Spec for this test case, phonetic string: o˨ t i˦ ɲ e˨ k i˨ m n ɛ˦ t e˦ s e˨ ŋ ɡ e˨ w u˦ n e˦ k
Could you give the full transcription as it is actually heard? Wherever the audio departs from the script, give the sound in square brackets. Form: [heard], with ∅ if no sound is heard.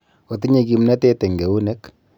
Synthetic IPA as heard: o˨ t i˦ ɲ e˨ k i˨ m n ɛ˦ t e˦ [t] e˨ ŋ ɡ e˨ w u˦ n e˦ k